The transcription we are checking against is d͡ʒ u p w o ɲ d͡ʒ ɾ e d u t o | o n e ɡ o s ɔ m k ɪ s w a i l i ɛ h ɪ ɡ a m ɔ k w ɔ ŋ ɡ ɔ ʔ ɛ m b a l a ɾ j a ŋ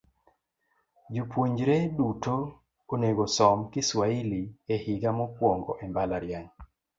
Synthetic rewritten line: d͡ʒ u p w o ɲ d͡ʒ ɾ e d u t o | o n e ɡ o s ɔ m k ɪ s w a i l i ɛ h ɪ ɡ a m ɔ k w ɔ ŋ ɡ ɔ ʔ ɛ m b a l a ɾ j a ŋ